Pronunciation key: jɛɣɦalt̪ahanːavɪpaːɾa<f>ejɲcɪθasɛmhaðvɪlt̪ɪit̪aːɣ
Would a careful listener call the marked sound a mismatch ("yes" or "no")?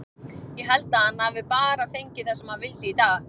no